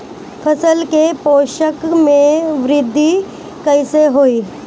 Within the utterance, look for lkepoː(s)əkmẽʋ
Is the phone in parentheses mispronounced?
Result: yes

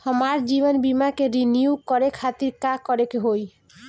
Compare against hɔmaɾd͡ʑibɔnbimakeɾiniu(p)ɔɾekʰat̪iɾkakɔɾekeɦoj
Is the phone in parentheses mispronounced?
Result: yes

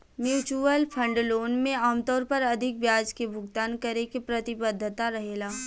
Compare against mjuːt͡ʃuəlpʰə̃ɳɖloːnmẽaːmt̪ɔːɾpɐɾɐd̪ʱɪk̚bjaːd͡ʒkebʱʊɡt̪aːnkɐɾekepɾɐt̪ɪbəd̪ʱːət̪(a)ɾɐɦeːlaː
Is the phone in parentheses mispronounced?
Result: no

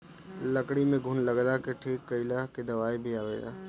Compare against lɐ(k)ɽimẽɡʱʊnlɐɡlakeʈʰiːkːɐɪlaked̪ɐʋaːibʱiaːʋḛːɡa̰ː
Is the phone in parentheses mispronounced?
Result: no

